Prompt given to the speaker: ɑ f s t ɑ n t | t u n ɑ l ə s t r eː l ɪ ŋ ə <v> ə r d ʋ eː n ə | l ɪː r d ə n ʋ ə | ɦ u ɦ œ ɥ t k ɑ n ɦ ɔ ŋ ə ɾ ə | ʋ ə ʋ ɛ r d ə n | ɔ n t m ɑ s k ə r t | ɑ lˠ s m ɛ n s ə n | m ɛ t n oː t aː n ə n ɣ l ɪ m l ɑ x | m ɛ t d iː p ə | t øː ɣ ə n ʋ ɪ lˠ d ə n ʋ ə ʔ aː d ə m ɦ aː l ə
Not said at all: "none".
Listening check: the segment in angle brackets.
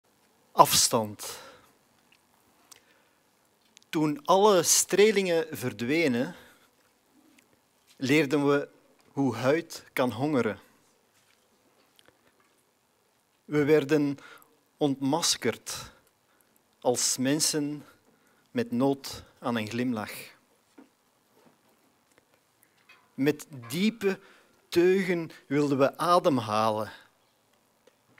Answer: v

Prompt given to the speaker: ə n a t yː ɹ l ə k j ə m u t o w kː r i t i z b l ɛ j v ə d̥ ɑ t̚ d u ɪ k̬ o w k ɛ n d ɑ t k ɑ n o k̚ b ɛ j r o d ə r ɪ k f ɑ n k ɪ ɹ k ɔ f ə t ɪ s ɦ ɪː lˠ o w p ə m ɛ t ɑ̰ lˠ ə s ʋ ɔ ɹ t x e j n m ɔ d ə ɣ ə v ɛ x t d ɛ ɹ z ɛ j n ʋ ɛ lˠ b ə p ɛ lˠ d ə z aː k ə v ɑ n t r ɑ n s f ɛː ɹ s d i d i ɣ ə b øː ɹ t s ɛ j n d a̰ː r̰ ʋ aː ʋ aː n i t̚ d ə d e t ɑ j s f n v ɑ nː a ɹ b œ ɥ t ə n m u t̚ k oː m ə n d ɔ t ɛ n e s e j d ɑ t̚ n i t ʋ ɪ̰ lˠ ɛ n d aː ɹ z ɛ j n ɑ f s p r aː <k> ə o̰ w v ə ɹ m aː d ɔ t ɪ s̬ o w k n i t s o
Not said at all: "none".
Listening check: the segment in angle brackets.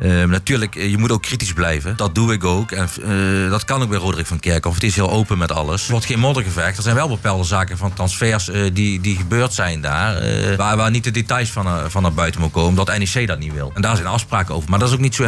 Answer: k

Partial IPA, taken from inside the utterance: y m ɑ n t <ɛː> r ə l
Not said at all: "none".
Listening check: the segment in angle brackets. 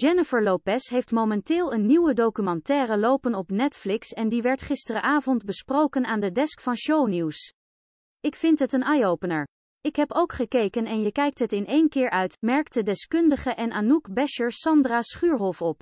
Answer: ɛː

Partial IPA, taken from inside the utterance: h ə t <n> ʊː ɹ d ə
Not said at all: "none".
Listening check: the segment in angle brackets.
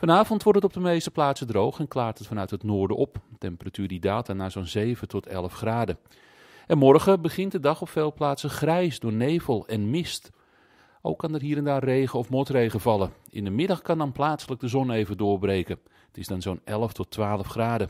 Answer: n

